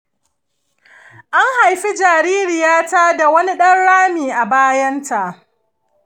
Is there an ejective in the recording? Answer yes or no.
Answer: no